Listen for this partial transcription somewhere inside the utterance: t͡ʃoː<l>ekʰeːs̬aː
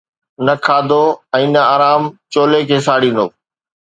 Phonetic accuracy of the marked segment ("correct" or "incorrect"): correct